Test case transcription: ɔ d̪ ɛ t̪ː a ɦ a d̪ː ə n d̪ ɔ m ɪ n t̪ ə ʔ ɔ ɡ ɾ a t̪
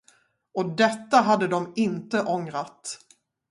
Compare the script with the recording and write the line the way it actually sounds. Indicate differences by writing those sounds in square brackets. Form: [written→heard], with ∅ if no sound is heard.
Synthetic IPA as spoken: ɔ d̪ ɛ t̪ː a ɦ a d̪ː ə [n→∅] d̪ ɔ m ɪ n t̪ ə ʔ ɔ [ɡ→ŋ] ɾ a t̪